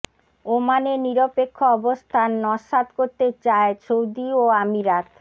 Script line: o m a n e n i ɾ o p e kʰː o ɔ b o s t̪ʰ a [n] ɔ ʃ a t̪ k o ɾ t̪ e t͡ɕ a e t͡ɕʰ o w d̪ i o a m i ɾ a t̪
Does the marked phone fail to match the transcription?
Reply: yes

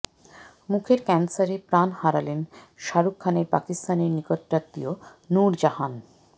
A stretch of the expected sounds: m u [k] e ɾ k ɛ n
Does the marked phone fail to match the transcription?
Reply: yes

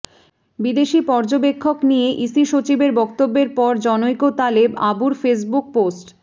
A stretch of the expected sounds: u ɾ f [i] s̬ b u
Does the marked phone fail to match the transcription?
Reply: yes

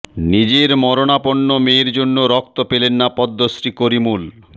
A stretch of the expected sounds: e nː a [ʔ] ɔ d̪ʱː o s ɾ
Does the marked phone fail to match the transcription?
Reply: yes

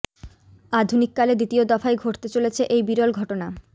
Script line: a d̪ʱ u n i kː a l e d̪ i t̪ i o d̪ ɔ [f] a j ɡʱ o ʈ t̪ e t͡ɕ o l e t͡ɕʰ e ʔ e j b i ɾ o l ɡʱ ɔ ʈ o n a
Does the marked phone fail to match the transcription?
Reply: no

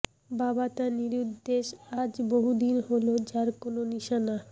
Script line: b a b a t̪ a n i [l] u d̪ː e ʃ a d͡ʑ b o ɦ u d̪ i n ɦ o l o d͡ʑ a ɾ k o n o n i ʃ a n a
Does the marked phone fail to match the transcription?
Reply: yes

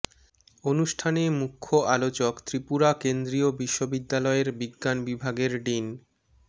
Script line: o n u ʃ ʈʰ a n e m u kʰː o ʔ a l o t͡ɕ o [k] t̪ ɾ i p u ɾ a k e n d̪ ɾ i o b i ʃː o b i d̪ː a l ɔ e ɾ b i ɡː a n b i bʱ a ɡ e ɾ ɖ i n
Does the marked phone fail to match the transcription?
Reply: no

